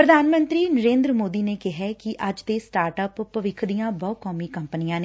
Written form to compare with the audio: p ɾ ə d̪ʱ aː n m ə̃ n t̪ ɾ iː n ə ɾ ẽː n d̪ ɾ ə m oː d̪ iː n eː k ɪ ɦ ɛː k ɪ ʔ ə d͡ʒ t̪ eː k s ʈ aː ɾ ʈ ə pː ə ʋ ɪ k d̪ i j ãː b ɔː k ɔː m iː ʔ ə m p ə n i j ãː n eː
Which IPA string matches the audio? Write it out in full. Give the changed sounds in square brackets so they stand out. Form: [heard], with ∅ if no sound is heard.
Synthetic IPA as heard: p ɾ ə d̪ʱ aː n m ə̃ n t̪ ɾ iː n ə ɾ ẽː n d̪ ɾ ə m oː d̪ iː n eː k ɪ ɦ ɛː k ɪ ʔ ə d͡ʒ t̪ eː [∅] s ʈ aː ɾ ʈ ə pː ə ʋ ɪ [kʰ] d̪ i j ãː b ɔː k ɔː m iː [k] ə m p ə n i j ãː n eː